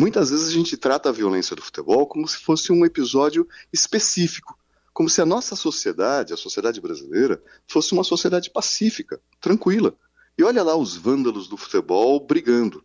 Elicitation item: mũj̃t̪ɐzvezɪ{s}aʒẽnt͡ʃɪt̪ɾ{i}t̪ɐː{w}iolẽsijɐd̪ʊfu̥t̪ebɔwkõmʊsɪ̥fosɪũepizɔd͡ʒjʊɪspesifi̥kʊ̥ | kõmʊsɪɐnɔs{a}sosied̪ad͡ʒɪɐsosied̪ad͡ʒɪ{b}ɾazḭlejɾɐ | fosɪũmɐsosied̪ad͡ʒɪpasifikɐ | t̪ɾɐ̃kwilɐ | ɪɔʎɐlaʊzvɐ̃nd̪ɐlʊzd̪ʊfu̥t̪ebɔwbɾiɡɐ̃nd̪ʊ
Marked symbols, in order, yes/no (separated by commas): no, no, no, no, yes